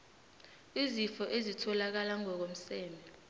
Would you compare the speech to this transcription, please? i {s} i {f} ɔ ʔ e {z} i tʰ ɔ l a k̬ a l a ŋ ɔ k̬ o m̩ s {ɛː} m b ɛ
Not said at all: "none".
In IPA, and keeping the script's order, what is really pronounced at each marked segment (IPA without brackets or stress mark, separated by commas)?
z, f, z, ɛː